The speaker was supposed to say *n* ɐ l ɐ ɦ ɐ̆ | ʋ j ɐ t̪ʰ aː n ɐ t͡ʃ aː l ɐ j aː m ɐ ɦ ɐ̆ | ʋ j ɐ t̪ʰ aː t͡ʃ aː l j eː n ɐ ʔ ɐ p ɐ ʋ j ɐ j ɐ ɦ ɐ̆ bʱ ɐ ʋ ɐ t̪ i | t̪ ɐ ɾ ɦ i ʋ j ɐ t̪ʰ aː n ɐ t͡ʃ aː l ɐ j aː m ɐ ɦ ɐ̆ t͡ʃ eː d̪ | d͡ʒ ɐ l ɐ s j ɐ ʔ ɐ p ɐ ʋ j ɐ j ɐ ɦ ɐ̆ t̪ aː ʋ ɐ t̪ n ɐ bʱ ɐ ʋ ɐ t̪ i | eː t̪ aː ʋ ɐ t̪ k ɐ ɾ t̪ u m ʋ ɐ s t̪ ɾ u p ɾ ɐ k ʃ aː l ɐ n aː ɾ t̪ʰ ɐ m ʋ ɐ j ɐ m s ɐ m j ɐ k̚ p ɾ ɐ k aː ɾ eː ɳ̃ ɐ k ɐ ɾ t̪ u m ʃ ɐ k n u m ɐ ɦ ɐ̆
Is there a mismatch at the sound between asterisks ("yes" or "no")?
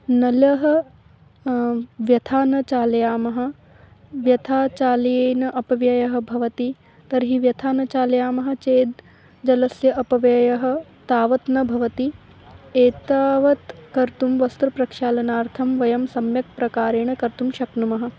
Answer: no